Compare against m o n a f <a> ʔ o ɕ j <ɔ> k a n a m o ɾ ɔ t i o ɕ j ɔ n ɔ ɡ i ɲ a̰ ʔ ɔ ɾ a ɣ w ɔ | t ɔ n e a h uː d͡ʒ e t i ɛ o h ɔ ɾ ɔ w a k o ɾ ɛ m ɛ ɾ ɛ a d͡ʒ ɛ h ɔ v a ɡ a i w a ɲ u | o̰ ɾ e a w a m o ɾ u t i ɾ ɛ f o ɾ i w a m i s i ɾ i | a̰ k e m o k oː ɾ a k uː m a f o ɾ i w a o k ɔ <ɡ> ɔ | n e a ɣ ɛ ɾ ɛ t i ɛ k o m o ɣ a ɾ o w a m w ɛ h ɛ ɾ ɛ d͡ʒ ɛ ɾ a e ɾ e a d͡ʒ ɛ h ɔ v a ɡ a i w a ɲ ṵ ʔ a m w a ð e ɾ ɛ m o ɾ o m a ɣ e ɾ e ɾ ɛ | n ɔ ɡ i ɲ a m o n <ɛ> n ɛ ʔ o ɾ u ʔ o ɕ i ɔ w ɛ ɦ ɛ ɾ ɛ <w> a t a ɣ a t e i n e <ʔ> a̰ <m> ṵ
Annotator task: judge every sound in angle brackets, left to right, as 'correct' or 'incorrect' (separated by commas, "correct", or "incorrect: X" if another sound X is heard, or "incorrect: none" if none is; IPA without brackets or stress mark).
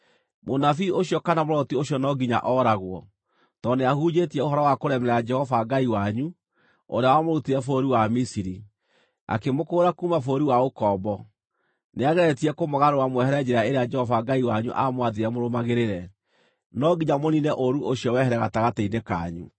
incorrect: i, correct, incorrect: b, incorrect: i, incorrect: ɣ, incorrect: k, incorrect: ɲ